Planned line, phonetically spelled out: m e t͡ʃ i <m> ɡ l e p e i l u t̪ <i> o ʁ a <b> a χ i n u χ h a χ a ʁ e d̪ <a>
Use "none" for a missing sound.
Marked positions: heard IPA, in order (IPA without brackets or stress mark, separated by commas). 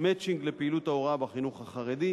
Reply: ŋ, a, b, i